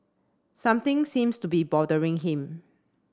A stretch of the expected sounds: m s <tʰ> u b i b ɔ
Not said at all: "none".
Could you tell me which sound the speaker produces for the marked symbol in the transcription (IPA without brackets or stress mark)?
t